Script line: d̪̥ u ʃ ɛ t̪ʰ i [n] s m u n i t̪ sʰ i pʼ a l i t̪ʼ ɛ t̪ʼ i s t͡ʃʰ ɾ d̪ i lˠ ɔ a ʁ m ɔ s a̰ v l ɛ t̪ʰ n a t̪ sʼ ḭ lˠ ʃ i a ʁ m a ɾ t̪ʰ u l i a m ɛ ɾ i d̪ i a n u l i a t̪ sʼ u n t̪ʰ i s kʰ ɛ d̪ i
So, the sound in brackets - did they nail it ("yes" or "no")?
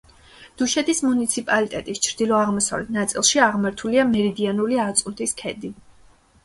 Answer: no